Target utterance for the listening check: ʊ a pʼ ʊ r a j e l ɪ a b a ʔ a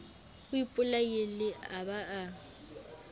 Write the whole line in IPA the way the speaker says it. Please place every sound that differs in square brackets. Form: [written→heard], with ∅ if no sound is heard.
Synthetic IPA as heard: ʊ [a→i] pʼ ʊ [r→l] a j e l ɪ a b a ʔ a